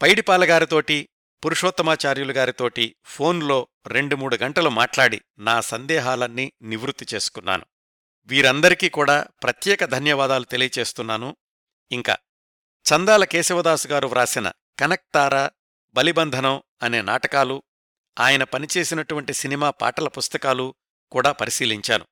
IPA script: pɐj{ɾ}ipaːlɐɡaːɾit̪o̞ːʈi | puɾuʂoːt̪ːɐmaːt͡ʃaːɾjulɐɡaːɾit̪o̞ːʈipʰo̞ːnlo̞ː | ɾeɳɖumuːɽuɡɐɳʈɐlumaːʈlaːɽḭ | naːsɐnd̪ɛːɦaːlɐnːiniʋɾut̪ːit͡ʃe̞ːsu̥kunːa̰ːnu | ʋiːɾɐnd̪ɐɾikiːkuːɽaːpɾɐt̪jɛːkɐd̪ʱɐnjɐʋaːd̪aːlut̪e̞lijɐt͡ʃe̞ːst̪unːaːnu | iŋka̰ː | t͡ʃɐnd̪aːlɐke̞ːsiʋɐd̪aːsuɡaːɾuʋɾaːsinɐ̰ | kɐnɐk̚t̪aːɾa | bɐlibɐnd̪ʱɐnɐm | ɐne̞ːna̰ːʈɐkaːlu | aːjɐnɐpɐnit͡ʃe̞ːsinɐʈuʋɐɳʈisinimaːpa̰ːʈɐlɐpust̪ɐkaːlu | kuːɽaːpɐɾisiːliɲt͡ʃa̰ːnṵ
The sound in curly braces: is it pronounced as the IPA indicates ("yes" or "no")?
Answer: no